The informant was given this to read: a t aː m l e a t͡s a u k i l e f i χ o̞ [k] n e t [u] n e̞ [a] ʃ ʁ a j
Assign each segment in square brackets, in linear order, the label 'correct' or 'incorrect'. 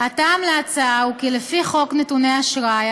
correct, correct, correct

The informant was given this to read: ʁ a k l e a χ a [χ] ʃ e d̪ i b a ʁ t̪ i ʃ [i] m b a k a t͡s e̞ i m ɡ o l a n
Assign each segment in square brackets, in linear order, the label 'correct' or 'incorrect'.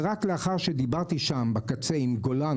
incorrect, incorrect

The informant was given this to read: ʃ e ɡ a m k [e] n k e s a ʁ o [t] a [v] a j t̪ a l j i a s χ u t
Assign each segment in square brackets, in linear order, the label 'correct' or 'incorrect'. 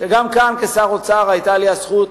incorrect, incorrect, incorrect

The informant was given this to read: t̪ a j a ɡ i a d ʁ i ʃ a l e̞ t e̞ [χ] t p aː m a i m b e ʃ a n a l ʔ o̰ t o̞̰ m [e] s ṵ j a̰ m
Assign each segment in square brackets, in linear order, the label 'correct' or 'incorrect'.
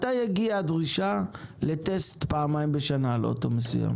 incorrect, correct

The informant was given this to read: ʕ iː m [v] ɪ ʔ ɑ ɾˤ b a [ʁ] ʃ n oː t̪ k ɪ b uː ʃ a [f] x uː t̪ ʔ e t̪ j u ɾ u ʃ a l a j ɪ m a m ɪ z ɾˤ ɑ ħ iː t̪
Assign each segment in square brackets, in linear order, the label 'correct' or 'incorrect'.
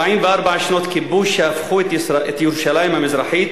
correct, incorrect, correct

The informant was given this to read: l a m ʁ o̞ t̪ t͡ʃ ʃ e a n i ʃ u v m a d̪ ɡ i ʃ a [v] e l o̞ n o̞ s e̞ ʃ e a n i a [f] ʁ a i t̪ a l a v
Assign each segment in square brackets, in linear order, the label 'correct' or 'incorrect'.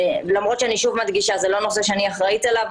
incorrect, incorrect

